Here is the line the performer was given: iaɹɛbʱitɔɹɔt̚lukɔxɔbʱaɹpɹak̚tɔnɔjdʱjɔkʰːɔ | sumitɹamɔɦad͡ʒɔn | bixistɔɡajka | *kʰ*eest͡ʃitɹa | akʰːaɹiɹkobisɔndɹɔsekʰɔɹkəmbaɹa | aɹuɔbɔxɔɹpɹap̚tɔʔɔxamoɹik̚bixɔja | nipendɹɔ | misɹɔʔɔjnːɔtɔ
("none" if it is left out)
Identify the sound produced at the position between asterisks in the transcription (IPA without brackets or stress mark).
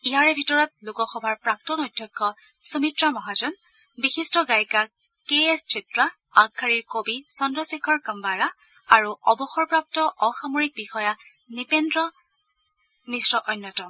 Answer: k